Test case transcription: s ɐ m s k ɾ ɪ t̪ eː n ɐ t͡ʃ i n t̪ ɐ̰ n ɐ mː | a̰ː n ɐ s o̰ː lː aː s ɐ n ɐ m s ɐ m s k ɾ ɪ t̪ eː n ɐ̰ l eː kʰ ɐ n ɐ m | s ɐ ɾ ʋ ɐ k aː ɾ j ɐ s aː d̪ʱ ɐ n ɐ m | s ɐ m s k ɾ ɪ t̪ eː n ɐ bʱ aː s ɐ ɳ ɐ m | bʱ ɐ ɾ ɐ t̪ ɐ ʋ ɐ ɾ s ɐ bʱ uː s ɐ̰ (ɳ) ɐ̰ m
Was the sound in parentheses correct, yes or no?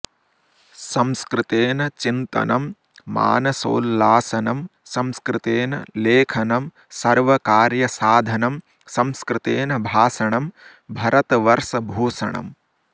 yes